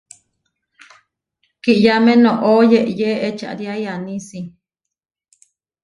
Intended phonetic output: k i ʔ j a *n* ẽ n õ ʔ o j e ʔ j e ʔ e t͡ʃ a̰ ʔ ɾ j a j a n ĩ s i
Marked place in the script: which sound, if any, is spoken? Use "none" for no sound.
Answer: m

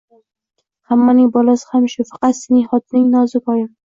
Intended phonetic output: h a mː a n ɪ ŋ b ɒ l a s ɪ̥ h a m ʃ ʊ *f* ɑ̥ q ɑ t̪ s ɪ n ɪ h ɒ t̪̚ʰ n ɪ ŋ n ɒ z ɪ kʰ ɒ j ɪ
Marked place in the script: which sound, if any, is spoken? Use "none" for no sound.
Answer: f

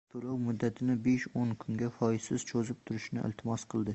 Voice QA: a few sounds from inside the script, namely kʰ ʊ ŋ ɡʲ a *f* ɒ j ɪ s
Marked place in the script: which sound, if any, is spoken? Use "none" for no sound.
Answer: f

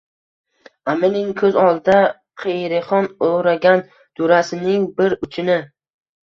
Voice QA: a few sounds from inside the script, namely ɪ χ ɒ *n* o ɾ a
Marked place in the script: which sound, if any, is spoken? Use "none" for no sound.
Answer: n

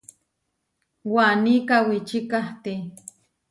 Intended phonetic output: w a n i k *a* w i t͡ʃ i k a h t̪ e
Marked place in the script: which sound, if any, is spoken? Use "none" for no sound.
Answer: a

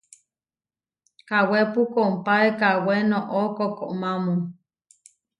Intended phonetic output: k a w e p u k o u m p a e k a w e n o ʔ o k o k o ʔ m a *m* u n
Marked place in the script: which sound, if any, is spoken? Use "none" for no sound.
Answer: m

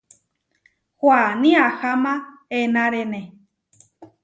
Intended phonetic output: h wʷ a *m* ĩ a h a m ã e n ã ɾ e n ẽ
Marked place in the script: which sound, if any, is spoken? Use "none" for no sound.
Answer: n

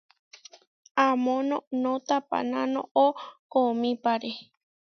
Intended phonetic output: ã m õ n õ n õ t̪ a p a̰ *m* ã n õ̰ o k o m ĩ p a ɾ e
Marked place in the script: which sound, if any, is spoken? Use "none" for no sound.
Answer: n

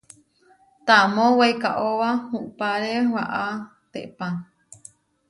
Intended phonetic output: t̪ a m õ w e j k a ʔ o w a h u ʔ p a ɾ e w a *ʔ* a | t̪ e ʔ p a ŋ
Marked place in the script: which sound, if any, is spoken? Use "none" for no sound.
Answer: ʔ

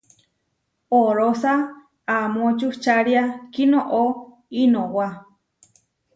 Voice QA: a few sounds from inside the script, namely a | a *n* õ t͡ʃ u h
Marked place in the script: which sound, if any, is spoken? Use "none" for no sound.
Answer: m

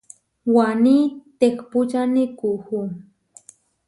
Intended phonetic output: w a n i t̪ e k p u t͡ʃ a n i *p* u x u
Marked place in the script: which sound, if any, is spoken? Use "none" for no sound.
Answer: k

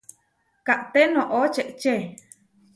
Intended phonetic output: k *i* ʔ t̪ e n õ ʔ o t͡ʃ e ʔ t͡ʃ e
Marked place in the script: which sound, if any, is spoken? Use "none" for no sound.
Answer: a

